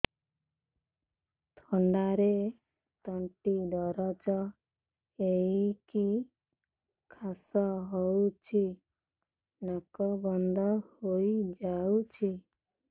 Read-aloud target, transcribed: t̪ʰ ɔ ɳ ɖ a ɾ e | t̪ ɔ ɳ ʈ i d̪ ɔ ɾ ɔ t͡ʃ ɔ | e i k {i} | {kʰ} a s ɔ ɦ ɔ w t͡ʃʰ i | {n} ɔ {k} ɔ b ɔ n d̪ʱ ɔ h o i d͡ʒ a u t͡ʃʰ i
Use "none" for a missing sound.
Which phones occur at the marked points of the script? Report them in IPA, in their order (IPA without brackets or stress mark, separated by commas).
i, kʰ, n, k